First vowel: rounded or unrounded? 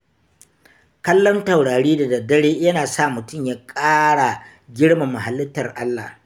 unrounded